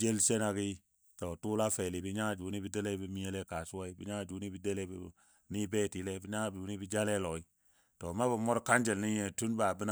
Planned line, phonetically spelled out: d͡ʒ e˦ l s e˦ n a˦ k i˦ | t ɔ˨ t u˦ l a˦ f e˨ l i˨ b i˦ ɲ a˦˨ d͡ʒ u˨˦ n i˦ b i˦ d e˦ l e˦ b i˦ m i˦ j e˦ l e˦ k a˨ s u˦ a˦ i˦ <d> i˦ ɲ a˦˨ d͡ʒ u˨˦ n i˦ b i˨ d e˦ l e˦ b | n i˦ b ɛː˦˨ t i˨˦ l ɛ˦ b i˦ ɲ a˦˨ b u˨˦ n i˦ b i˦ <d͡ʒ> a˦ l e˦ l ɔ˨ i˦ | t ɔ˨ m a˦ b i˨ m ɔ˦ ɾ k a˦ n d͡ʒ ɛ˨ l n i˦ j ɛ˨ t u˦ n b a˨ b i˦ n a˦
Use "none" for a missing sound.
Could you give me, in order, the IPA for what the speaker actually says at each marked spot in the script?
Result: b, d͡ʒ

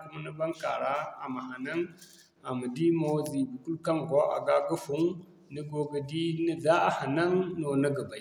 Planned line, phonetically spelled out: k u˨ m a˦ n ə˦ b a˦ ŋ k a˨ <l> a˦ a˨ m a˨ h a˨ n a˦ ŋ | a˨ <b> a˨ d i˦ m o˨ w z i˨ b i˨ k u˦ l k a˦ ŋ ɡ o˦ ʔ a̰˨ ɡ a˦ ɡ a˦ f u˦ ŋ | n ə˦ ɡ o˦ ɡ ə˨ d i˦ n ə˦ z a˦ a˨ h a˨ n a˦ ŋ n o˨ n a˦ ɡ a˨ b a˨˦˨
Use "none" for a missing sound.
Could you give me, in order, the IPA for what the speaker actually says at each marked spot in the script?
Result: ɾ, m

